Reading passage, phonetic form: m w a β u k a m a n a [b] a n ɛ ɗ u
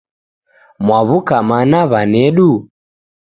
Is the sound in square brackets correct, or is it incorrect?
incorrect